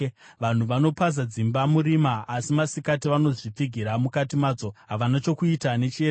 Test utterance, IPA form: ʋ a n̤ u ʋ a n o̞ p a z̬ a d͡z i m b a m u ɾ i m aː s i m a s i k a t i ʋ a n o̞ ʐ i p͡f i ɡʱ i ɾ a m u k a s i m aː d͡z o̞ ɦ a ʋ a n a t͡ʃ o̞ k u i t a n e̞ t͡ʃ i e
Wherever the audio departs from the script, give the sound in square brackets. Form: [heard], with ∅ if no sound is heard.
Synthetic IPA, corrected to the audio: ʋ a n̤ u ʋ a n o̞ p a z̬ a d͡z i m b a m u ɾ i m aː s i m a s i k a t i ʋ a n o̞ ʐ i p͡f i ɡʱ i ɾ a m u k a [t] i m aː d͡z o̞ ɦ a ʋ a n a t͡ʃ o̞ k u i t a n e̞ t͡ʃ i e

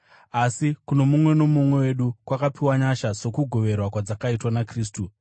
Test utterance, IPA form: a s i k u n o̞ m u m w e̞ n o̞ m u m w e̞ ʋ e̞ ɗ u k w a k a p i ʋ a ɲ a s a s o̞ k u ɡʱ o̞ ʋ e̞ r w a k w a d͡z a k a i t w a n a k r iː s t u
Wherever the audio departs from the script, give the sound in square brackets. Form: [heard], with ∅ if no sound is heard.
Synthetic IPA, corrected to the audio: a s i k u n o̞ m u m w e̞ n o̞ m u m w e̞ [w] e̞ ɗ u k w a k a p i [w] a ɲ a [ʃ] a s o̞ k u ɡʱ o̞ ʋ e̞ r w a k w a d͡z a k a i t w a n a k r iː s t u

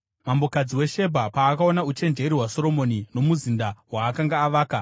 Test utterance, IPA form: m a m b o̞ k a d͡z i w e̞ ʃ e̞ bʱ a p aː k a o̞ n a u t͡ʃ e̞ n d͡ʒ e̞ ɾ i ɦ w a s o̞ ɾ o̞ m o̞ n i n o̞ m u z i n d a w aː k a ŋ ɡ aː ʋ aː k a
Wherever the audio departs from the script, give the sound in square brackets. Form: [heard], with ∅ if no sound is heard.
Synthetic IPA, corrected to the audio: m a m b o̞ k a d͡z i w e̞ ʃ e̞ bʱ a p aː k a o̞ n a u t͡ʃ e̞ n d͡ʒ e̞ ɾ i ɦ w a s o̞ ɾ o̞ m o̞ n i n o̞ m u z i n d a w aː k a ŋ ɡ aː ʋ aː k a

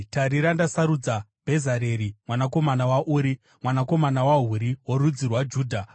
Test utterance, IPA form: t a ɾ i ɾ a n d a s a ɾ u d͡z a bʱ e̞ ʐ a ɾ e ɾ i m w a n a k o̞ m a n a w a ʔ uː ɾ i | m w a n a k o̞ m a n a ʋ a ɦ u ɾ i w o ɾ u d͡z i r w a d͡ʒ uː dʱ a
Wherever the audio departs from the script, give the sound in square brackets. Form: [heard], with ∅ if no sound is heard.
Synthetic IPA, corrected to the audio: t a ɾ i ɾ a n d a s a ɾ u d͡z a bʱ e̞ [z] a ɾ e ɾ i m w a n a k o̞ m a n a w a ʔ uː ɾ i | m w a n a k o̞ m a n a [w] a ɦ u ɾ i w o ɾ u d͡z i r w a d͡ʒ uː dʱ a

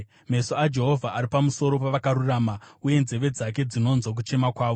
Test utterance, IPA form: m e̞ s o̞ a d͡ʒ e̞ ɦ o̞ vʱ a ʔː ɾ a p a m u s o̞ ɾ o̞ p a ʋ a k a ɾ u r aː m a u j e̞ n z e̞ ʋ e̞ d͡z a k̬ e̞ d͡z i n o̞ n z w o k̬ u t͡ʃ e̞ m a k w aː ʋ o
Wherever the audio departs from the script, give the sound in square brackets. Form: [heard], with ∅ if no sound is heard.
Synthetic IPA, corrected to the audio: m e̞ s o̞ a d͡ʒ e̞ ɦ o̞ vʱ a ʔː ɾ [i] p a m u s o̞ ɾ o̞ p a ʋ a k a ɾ u r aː m a u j e̞ n z e̞ ʋ e̞ d͡z a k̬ e̞ d͡z i n o̞ n z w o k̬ u t͡ʃ e̞ m a k w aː ʋ o

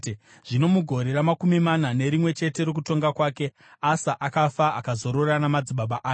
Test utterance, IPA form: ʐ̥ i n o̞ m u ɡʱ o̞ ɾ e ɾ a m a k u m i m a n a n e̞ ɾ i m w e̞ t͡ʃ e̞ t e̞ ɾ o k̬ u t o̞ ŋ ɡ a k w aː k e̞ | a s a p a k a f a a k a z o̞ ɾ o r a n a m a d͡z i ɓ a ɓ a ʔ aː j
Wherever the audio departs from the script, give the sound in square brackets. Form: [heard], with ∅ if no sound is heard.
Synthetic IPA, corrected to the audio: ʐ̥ i n o̞ m u ɡʱ o̞ ɾ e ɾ a m a k u m i m a n a n e̞ ɾ i m w e̞ t͡ʃ e̞ t e̞ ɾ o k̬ u t o̞ ŋ ɡ a k w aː k e̞ | a s a [ʔ] a k a f a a k a z o̞ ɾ o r a n a m a d͡z i ɓ a ɓ a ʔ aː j

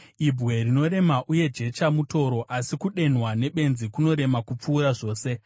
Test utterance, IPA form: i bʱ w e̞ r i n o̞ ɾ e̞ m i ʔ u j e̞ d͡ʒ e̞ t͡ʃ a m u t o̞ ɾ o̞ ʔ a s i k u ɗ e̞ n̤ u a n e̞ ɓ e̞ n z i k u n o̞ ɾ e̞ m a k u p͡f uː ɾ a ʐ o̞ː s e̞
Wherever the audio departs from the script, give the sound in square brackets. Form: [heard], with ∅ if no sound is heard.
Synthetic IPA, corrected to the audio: i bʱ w e̞ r i n o̞ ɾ e̞ m [a] ʔ u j e̞ d͡ʒ e̞ t͡ʃ a m u t o̞ ɾ o̞ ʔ a s i k u ɗ e̞ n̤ [w] a n e̞ ɓ e̞ n z i k u n o̞ ɾ e̞ m a k u p͡f uː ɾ a ʐ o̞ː s e̞

